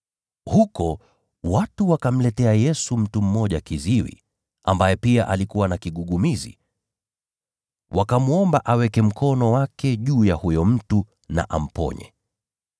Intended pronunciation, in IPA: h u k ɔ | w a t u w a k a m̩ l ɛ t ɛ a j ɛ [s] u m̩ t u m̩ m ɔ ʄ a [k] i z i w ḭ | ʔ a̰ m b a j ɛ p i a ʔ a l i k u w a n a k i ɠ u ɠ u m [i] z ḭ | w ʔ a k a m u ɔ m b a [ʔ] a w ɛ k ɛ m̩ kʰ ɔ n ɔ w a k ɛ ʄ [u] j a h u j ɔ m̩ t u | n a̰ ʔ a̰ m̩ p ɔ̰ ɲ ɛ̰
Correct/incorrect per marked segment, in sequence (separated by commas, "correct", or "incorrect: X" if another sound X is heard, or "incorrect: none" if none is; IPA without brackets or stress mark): correct, correct, correct, correct, incorrect: uː